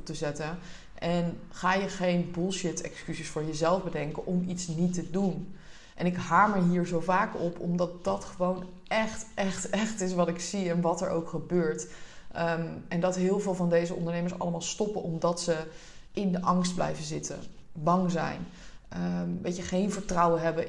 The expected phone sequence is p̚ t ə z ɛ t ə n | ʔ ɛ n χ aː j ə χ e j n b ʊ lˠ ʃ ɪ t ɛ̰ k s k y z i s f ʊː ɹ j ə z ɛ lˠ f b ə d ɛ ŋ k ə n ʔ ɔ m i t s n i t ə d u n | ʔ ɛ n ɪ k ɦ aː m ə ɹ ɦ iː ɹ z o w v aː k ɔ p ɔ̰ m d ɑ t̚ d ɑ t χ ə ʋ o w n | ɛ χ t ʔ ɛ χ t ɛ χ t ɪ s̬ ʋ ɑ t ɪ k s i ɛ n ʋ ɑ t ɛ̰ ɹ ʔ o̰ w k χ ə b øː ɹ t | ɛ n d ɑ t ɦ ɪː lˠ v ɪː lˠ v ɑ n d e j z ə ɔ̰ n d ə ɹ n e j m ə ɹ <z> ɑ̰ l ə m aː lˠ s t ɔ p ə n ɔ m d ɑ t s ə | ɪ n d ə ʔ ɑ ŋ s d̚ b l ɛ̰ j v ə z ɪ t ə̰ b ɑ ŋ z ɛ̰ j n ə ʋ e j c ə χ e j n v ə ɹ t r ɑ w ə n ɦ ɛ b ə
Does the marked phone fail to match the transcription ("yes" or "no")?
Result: yes